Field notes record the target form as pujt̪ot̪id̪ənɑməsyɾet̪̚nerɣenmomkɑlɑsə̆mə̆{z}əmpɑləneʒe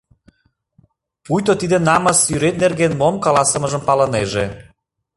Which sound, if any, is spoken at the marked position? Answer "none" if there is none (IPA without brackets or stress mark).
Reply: ʒ